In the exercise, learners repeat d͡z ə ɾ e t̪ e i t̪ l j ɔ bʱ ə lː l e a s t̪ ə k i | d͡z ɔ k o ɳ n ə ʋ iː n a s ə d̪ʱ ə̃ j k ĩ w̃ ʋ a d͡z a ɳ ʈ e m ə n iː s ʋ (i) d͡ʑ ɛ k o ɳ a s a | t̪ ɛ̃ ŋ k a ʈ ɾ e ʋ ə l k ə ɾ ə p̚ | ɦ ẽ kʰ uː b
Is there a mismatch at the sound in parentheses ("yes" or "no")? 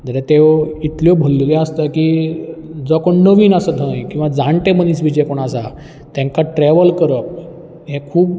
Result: no